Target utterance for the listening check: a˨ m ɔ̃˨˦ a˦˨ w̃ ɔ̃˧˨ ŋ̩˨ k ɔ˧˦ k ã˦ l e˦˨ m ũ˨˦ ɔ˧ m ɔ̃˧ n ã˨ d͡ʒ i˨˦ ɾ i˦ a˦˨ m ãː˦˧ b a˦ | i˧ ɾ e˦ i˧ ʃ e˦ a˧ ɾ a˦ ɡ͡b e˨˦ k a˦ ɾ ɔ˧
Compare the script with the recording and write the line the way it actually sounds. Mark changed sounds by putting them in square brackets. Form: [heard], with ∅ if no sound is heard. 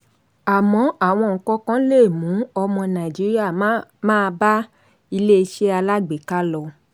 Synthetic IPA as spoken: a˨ m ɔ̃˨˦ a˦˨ w̃ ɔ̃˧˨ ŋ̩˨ k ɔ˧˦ k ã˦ l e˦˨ m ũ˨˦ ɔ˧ m ɔ̃˧ n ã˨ d͡ʒ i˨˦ ɾ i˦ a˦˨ m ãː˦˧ b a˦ | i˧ [l] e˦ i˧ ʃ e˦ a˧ [l] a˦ ɡ͡b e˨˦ k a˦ [l] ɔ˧